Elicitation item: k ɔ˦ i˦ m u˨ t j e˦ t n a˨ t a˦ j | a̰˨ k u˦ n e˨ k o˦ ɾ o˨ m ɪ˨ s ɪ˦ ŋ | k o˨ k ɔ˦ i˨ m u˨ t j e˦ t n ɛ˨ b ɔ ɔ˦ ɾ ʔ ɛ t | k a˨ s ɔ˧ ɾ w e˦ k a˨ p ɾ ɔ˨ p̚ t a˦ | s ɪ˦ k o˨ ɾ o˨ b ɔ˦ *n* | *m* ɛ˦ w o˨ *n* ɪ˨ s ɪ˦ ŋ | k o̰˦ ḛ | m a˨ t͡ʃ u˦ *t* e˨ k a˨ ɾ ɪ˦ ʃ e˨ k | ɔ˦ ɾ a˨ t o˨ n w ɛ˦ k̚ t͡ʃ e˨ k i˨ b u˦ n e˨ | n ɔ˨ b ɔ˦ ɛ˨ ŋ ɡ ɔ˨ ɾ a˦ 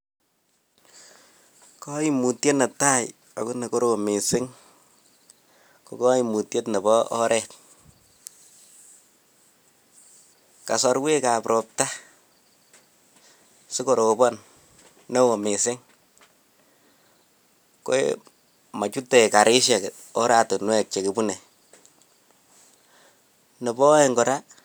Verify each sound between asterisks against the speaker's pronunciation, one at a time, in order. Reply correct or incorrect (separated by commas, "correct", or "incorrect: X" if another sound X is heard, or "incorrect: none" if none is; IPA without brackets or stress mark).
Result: correct, incorrect: n, incorrect: m, correct